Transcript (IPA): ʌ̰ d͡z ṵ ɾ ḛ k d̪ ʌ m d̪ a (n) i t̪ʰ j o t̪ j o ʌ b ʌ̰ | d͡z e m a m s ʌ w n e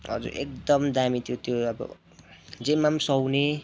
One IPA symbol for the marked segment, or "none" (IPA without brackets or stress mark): m